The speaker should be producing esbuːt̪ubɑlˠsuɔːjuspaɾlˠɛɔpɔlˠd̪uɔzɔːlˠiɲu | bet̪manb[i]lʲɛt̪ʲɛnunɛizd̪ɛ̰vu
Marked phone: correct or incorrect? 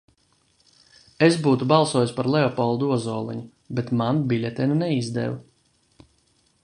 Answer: correct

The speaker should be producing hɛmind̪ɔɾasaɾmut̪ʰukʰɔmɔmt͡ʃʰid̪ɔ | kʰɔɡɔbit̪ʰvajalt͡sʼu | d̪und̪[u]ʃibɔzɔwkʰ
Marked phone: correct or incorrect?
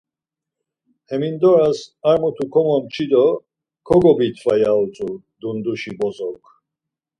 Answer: correct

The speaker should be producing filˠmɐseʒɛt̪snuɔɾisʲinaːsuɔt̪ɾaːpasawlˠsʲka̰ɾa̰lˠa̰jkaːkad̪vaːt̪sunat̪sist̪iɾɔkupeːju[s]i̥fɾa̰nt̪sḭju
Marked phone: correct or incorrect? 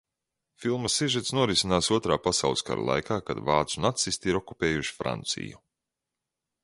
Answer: incorrect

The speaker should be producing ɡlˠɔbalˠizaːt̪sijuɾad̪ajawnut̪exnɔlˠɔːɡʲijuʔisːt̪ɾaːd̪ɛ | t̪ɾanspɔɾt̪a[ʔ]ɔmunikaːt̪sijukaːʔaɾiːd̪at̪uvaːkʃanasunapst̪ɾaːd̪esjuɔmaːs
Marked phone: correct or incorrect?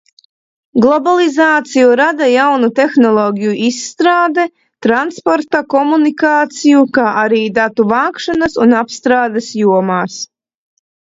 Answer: incorrect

